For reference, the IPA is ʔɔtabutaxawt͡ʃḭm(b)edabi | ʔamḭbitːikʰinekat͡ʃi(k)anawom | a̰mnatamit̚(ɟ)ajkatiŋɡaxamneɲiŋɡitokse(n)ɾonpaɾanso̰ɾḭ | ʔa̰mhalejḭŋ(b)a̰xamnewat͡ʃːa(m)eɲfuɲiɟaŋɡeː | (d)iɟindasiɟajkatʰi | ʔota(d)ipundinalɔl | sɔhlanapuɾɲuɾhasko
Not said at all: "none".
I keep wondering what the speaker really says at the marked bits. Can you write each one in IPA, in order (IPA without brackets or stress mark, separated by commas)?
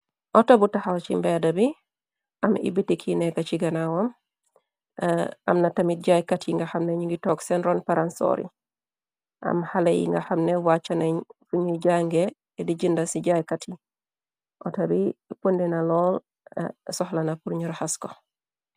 b, ɡ, ɟ, n, ɡ, n, d, b